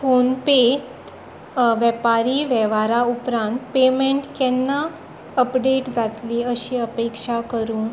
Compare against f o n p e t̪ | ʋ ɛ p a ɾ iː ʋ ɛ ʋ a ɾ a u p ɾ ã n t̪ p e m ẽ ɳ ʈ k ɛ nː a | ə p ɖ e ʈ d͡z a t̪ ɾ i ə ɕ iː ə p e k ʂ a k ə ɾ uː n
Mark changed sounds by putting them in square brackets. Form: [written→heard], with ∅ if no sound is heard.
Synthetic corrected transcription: f o n p e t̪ | ʋ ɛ p a ɾ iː ʋ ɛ ʋ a ɾ a u p ɾ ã n t̪ p e m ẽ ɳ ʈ k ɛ nː a | ə p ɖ e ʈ d͡z a t̪ [ɾ→l] i ə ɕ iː ə p e k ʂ a k ə ɾ uː n